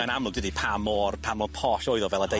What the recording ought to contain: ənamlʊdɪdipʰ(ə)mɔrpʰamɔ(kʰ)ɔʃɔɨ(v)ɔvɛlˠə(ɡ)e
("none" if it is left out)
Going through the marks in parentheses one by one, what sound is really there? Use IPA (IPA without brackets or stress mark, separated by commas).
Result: a, pʰ, ð, d